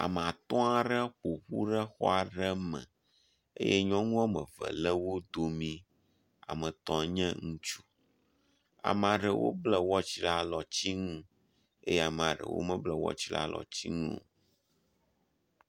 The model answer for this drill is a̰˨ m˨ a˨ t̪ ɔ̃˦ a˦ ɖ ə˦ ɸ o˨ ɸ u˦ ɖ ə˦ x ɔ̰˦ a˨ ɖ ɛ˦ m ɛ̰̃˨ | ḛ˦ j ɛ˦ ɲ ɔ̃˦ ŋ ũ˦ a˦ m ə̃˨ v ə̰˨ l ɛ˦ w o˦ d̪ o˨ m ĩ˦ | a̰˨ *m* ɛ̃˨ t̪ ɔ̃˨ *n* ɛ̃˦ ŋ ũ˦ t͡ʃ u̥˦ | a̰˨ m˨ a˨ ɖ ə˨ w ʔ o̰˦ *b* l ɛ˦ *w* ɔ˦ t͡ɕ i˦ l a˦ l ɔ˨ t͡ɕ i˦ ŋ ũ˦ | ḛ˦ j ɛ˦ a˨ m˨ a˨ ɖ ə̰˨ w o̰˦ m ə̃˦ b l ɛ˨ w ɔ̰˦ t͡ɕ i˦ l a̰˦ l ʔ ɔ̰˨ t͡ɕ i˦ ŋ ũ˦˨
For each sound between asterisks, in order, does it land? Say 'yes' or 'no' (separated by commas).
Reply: yes, no, yes, yes